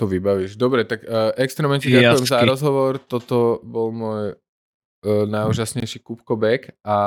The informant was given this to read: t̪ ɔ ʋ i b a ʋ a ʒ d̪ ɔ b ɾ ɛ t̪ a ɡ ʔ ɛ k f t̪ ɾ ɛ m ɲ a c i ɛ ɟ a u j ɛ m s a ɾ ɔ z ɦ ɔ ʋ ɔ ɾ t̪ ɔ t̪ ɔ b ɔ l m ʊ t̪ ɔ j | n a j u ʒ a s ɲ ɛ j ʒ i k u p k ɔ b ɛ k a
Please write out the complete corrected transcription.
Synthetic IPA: t̪ ɔ ʋ i b a ʋ i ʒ d̪ ɔ b ɾ ɛ t̪ a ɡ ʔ ɛ k s t̪ ɾ ɛ m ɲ ɛ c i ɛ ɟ a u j ɛ m z a ɾ ɔ z ɦ ɔ ʋ ɔ ɾ t̪ ɔ t̪ ɔ b ɔ l m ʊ ɔ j | n a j u ʒ a s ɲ ɛ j ʃ i k u p k ɔ b ɛ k a